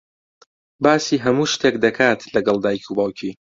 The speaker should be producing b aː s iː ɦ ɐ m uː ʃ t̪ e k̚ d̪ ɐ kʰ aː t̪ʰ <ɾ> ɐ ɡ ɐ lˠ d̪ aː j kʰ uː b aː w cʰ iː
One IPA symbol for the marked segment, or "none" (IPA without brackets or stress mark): l